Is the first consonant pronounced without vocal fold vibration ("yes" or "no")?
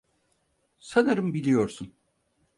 yes